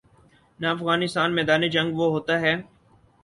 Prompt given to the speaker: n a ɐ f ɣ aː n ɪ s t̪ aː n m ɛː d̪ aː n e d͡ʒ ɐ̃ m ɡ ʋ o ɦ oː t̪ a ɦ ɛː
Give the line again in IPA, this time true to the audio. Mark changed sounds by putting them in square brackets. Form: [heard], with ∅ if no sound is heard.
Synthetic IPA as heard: n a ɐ f ɣ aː n ɪ s t̪ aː n m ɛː d̪ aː n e d͡ʒ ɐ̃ [ŋ] ɡ ʋ o ɦ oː t̪ a ɦ ɛː